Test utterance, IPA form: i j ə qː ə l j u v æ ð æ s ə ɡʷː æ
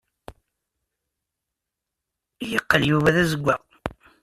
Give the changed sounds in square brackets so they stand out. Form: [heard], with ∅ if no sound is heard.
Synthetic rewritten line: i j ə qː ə l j u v æ ð æ [z] ə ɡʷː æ